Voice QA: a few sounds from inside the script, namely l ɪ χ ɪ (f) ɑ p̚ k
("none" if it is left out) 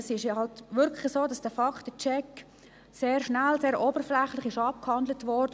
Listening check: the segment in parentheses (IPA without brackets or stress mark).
ʃ